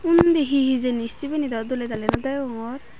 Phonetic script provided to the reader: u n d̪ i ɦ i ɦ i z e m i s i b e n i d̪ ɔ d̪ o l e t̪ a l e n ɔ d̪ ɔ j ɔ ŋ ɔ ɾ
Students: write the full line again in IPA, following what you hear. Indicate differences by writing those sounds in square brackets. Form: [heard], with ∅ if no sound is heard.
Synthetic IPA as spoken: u n d̪ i ɦ i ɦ i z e [n] i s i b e n i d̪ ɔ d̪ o l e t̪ a l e n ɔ d̪ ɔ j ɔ ŋ ɔ ɾ

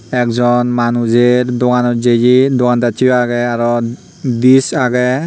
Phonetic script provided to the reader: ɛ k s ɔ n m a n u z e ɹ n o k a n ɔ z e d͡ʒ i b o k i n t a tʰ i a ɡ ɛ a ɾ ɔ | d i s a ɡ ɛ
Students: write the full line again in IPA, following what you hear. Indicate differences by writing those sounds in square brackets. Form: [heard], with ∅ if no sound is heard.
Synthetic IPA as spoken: ɛ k [z] ɔ n m a n u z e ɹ [d] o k a n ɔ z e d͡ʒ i [d] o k [a] n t a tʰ i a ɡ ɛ a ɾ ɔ | d i s a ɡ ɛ

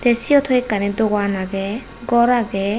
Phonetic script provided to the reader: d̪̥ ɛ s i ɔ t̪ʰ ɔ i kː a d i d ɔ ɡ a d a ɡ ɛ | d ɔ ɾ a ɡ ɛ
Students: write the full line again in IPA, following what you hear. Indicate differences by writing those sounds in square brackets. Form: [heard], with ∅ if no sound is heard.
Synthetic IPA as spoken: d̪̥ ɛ s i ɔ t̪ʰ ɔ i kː a [n] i d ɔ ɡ a [n] a ɡ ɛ | [ɡ] ɔ ɾ a ɡ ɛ

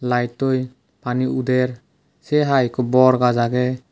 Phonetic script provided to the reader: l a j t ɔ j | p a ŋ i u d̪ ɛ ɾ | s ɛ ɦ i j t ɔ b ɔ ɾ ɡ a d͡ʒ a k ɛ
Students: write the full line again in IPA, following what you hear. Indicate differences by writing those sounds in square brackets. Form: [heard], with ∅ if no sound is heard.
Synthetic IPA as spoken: l a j t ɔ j | p a [n] i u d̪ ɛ ɾ | s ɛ ɦ [a] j [k] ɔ b ɔ ɾ ɡ a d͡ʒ a [ɡ] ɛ

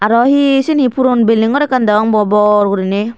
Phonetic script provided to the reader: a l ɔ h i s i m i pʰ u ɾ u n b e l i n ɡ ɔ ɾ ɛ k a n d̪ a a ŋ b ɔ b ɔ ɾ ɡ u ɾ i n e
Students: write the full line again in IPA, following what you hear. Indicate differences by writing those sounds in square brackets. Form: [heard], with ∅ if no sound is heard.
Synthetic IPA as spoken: a [ɾ] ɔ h i s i [n] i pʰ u ɾ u n b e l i [ŋ] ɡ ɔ ɾ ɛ k a n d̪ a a ŋ b ɔ b ɔ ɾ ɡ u ɾ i n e

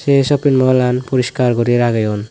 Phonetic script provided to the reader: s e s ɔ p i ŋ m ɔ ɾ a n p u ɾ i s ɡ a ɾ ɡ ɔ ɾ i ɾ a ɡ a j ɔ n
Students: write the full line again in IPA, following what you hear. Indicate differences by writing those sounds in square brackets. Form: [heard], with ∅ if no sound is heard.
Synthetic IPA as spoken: s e s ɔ p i [n] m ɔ [l] a n p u ɾ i s [k] a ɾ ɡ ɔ ɾ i ɾ a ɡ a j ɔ n

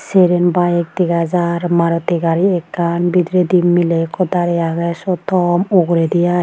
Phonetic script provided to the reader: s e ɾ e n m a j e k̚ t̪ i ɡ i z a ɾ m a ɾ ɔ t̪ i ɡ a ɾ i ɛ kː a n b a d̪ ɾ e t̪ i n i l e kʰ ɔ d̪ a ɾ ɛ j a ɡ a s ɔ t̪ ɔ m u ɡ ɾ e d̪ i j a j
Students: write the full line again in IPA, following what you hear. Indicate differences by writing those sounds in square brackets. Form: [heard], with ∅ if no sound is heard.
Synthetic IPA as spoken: s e ɾ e n [b] a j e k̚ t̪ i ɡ [a] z a ɾ m a ɾ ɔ t̪ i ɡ a ɾ i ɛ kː a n b [i] d̪ ɾ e [d̪] i [m] i l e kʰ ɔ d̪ a ɾ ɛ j a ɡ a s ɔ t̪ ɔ m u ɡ ɾ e d̪ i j a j

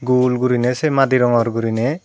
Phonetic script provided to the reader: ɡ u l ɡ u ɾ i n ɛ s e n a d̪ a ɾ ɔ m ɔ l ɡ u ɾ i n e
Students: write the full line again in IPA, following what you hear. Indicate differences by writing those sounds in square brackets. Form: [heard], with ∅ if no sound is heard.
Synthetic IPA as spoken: ɡ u l ɡ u ɾ i n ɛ s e [m] a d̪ [i] ɾ ɔ [ŋ] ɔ [ɾ] ɡ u ɾ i n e

